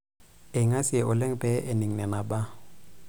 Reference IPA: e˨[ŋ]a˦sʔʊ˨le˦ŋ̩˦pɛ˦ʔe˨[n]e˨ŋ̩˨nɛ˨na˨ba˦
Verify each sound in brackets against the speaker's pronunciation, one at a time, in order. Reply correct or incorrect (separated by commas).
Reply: correct, correct